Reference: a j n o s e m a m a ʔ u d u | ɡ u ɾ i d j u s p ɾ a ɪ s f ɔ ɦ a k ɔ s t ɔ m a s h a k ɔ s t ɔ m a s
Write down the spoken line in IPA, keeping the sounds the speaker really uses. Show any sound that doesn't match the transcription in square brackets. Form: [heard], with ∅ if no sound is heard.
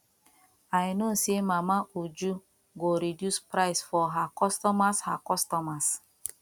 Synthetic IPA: a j n o s e m a m a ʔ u [d͡ʒ] u | ɡ [o] ɾ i d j u s p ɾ a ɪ s f ɔ ɦ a k ɔ s t ɔ m a s h a k ɔ s t ɔ m a s